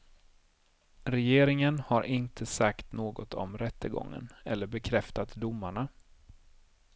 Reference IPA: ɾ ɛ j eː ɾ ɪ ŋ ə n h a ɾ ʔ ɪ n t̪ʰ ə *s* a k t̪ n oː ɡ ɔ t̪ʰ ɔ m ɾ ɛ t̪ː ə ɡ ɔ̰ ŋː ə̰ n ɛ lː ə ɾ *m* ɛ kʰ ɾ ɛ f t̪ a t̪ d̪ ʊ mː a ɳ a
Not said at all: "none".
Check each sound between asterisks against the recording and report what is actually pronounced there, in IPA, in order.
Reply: s, b

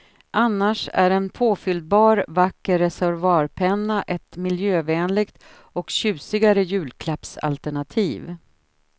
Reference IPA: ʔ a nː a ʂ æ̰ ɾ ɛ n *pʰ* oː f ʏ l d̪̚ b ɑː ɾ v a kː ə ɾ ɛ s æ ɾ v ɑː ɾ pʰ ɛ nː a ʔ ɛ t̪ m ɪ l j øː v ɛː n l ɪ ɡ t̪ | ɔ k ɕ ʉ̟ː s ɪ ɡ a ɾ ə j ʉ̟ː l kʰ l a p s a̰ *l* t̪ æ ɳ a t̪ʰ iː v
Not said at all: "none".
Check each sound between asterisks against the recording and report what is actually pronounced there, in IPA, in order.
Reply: pʰ, l

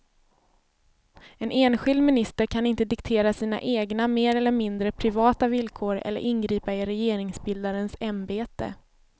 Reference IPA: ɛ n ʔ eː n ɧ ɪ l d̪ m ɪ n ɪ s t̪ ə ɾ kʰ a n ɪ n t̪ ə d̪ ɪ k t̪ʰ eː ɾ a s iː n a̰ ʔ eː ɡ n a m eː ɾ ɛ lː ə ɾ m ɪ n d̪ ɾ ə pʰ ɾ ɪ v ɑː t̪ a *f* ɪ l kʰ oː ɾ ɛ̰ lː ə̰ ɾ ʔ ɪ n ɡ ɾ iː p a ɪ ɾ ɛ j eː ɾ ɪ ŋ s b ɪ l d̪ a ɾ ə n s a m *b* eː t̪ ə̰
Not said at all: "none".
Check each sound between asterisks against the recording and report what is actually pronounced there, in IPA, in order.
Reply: v, b

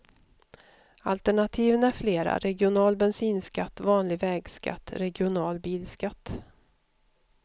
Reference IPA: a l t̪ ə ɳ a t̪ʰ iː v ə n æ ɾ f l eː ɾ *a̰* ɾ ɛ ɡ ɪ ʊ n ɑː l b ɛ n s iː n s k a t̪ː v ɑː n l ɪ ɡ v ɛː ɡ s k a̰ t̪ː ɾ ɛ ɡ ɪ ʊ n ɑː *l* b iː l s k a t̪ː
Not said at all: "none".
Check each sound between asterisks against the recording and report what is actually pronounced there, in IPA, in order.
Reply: a̰, l

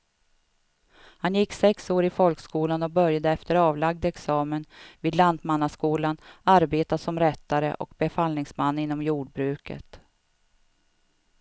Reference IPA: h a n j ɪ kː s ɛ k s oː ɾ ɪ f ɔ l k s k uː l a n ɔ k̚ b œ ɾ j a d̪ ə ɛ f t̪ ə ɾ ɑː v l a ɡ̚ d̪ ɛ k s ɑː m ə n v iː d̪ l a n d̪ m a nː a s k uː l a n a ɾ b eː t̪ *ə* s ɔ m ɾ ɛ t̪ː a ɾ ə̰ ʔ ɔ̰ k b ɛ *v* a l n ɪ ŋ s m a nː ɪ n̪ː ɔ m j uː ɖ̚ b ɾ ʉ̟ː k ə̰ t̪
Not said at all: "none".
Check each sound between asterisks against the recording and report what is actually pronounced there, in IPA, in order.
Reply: a, f

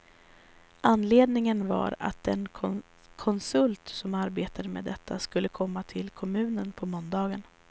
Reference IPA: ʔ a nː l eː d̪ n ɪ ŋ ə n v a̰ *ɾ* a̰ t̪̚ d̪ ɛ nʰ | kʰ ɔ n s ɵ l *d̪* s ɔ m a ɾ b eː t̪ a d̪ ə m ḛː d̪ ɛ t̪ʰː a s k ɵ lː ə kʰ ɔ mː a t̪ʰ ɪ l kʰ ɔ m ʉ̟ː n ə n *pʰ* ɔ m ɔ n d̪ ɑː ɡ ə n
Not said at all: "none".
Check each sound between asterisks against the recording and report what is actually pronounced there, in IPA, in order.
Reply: ɾ, t̪, pʰ

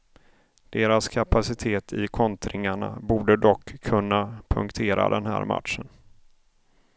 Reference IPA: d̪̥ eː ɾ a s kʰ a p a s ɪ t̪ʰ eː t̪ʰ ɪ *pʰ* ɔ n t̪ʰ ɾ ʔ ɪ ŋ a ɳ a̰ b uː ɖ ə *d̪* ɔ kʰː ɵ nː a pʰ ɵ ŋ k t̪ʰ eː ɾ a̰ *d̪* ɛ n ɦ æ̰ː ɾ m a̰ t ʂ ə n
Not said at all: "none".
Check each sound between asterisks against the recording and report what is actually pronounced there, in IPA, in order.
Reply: kʰ, d̪, d̪

